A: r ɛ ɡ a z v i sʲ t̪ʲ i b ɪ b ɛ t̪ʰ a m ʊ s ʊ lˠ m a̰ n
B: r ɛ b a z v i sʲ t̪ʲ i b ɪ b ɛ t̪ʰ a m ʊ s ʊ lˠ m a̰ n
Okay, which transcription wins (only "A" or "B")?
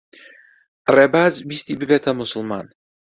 B